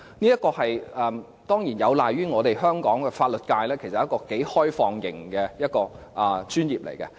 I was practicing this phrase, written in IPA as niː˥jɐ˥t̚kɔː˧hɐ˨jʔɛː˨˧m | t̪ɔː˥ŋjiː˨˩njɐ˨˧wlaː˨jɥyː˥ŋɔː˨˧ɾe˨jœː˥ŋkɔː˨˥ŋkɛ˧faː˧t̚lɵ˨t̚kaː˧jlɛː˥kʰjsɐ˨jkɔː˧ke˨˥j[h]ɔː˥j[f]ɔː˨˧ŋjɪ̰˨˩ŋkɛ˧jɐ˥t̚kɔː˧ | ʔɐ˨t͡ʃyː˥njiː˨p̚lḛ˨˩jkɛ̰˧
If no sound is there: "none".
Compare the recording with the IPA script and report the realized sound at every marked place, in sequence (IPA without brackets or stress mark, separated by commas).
h, f